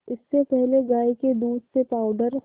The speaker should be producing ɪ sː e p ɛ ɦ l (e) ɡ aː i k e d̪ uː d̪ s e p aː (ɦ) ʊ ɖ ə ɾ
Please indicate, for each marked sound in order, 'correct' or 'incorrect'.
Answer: correct, incorrect

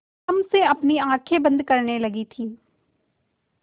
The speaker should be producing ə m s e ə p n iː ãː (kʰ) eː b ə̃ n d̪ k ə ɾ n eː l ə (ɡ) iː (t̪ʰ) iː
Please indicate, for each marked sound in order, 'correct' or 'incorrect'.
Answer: correct, correct, correct

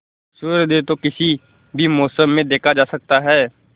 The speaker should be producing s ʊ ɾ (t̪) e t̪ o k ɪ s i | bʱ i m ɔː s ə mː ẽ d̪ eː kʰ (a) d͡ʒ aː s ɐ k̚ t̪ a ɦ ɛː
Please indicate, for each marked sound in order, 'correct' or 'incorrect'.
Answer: incorrect, correct

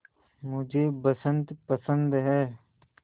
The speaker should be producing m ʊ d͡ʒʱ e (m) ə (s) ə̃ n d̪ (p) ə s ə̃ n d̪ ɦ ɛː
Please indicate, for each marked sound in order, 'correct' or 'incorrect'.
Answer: incorrect, correct, correct

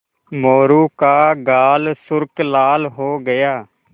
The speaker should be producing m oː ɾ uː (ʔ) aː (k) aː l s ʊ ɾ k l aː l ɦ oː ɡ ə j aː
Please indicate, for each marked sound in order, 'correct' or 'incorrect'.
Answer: incorrect, incorrect

